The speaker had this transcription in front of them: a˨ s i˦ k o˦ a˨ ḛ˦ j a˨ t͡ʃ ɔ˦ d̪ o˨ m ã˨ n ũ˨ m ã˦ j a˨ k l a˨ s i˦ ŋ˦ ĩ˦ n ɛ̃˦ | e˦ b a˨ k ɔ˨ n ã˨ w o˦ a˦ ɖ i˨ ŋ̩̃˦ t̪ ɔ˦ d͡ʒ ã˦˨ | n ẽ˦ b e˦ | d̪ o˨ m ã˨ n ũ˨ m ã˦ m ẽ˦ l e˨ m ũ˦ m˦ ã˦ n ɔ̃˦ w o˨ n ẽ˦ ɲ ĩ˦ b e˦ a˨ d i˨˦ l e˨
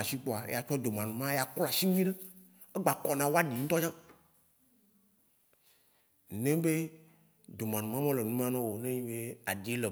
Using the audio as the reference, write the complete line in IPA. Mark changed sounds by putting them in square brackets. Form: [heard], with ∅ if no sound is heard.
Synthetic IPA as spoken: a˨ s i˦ [k͡p] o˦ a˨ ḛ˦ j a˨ t͡ʃ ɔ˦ d̪ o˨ m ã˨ n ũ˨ m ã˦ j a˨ k l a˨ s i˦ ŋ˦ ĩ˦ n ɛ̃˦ | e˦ [ɡ͡b] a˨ k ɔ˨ n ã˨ w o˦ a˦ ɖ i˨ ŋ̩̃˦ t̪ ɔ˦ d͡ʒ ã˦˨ | n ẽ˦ b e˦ | d̪ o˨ m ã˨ n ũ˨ m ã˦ m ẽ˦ l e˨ [n] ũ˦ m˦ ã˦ n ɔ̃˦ w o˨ n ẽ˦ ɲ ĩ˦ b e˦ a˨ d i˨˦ l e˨